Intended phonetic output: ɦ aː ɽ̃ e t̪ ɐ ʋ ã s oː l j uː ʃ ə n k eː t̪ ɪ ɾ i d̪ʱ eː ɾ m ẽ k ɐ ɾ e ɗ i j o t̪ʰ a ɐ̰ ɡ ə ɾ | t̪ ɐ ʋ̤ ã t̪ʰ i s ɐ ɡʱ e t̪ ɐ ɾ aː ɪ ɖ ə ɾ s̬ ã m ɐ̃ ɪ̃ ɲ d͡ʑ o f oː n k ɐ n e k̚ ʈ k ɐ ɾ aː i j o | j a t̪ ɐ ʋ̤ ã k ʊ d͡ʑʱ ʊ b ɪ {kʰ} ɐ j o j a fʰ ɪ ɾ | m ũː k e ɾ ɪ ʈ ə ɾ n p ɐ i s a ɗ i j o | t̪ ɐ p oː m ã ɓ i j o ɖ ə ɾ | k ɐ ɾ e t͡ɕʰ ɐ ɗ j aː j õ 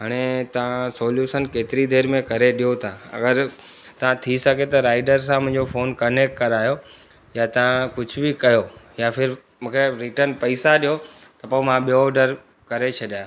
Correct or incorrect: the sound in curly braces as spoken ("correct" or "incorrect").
incorrect